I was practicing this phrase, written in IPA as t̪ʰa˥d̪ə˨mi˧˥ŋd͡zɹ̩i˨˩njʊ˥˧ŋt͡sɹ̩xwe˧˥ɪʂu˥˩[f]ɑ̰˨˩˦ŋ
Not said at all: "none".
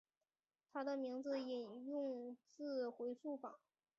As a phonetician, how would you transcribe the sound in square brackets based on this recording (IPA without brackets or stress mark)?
f